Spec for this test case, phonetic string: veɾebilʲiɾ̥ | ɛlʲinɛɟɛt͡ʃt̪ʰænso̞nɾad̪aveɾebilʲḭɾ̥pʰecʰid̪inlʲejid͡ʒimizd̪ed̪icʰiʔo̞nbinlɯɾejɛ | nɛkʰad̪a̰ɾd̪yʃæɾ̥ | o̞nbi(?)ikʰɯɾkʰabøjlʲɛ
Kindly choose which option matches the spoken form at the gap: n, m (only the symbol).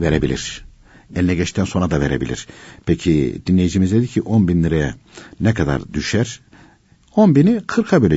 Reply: n